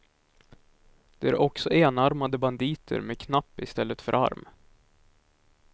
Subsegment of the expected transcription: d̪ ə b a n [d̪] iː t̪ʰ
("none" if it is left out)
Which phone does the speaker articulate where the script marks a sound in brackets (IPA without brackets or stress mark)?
d̪